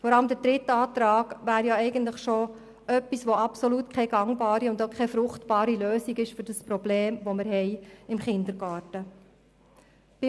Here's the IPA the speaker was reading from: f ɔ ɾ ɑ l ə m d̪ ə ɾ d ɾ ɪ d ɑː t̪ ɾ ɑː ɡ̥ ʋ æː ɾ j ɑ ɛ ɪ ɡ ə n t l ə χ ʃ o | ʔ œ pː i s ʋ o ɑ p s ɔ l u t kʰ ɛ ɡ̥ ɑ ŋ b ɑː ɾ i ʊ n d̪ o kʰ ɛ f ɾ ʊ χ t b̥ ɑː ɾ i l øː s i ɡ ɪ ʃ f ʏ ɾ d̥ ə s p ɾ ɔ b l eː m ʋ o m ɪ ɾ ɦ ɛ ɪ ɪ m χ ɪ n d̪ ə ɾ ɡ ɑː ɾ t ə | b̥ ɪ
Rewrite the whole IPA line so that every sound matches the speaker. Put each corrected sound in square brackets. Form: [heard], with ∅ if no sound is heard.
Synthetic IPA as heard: f ɔ ɾ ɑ l ə m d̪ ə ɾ d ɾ ɪ [t] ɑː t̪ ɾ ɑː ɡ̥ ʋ æː ɾ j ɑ ɛ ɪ ɡ ə n t l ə χ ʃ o | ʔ œ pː i s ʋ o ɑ p s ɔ l u t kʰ ɛ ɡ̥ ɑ ŋ b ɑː ɾ i ʊ n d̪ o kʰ ɛ f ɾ ʊ χ t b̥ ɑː ɾ i l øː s i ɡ ɪ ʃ f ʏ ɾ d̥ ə s p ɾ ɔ b l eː m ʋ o m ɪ ɾ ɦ ɛ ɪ ɪ m χ ɪ n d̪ ə ɾ ɡ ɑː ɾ t ə | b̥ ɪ